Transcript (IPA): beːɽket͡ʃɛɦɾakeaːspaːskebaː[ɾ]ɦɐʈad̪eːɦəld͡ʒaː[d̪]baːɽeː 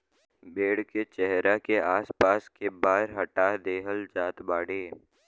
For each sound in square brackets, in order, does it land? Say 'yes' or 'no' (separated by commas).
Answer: yes, no